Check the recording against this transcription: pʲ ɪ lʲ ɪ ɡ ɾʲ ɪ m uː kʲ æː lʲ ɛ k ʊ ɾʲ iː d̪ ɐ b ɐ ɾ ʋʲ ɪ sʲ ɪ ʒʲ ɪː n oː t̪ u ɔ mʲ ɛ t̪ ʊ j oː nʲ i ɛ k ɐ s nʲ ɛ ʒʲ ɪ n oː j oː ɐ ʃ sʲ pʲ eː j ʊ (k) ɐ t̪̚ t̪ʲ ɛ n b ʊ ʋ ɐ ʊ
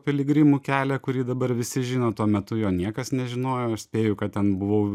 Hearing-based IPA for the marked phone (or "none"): k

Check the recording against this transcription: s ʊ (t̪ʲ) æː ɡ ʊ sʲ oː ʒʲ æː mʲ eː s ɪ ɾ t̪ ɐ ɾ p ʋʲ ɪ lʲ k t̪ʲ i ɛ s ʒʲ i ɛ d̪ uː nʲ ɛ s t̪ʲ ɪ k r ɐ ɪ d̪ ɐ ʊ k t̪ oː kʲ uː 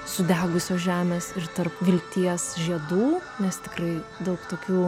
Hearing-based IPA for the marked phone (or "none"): d̪ʲ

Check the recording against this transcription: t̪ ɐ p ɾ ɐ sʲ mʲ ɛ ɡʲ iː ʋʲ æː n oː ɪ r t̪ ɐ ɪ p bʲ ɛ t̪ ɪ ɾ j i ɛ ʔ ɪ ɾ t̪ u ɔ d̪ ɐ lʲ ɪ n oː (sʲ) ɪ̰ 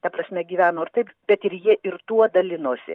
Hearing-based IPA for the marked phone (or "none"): sʲ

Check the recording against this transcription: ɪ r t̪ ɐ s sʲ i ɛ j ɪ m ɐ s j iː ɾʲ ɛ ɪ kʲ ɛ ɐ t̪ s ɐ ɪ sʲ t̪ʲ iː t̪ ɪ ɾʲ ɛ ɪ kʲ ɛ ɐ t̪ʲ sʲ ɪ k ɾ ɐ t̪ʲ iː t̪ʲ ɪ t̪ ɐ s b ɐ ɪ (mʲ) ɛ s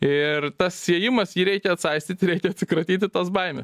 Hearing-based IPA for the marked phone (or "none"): mʲ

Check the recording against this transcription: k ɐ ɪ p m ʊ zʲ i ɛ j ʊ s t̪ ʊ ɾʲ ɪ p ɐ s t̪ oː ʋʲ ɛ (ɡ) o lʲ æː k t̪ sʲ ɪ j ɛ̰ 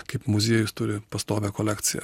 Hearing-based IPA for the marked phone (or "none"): k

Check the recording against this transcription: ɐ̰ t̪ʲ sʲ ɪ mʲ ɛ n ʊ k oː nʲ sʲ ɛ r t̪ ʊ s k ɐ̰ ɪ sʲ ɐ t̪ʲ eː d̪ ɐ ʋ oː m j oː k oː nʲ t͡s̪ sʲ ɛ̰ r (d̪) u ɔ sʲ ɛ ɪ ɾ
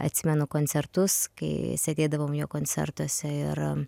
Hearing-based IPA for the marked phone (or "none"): t̪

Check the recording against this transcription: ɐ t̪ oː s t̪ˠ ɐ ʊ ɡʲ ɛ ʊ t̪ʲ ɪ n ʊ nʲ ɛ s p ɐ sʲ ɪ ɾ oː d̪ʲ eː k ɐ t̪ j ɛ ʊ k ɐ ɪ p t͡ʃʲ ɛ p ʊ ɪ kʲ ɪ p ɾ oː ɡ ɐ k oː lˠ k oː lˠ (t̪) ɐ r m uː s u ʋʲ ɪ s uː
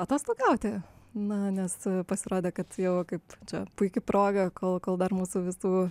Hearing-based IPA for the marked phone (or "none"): d̪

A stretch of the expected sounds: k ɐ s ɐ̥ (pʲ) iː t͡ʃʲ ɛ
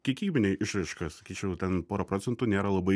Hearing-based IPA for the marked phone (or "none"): kʲ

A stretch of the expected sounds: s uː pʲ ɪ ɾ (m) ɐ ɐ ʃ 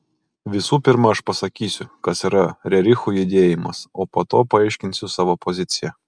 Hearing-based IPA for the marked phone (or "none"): m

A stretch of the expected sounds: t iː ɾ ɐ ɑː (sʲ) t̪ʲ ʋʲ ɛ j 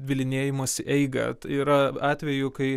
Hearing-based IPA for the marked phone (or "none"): none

